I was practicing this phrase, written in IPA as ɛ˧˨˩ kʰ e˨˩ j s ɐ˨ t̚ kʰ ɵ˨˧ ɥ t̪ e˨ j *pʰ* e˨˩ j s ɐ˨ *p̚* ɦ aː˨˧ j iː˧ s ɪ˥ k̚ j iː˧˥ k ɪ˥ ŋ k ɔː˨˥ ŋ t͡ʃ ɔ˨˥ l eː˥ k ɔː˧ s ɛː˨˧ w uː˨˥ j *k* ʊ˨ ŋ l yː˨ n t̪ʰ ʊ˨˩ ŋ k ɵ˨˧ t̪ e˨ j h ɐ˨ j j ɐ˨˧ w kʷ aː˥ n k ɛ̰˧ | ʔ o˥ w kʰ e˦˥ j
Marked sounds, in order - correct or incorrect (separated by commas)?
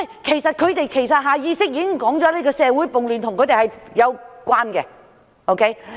incorrect, incorrect, incorrect